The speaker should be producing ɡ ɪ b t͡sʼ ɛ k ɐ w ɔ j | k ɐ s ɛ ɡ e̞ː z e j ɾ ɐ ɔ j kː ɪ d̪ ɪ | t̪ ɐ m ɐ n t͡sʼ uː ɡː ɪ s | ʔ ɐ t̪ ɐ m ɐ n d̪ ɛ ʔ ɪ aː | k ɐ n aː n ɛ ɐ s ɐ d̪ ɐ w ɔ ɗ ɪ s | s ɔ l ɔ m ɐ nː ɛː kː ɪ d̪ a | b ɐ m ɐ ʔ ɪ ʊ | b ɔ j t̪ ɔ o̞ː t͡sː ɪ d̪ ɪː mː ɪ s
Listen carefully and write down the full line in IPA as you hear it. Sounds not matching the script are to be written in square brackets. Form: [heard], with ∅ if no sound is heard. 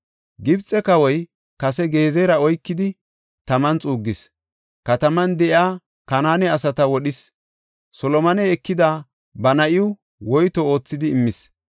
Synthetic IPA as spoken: ɡ ɪ b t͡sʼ ɛ k ɐ w ɔ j | k ɐ s ɛ ɡ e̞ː z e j ɾ ɐ ɔ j kː ɪ d̪ ɪ | t̪ ɐ m ɐ n t͡sʼ uː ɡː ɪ s | [k] ɐ t̪ ɐ m ɐ n d̪ ɛ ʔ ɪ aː | k ɐ n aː n ɛ ɐ s ɐ [t̪] ɐ w ɔ ɗ ɪ s | s ɔ l ɔ m ɐ [n] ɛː kː ɪ d̪ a | b ɐ [n] ɐ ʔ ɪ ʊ | [w] ɔ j t̪ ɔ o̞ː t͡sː ɪ d̪ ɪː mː ɪ s